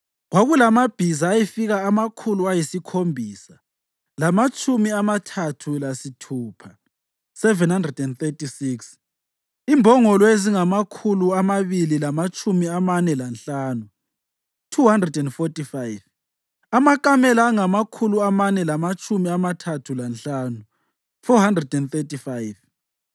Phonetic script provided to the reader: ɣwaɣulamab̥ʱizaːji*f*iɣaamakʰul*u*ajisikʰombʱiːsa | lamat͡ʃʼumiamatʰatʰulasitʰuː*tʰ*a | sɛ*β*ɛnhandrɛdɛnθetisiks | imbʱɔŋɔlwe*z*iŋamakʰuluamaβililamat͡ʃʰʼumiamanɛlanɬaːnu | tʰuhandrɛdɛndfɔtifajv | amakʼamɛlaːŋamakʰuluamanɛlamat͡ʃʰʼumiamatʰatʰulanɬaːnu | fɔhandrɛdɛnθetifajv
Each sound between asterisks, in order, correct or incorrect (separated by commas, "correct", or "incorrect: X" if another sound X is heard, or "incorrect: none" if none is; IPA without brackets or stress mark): correct, correct, incorrect: pʰ, incorrect: v, correct